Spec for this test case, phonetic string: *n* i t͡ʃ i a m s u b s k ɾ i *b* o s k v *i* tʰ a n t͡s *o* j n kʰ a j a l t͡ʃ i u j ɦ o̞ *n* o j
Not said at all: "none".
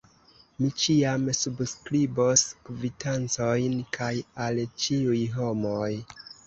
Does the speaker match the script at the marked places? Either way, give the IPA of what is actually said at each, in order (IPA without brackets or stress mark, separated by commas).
m, b, i, o, m